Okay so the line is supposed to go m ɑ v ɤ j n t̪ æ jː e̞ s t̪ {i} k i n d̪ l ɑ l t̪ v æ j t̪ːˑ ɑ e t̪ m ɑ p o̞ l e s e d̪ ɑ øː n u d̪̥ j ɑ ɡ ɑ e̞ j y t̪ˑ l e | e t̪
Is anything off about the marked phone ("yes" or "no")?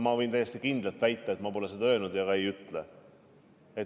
no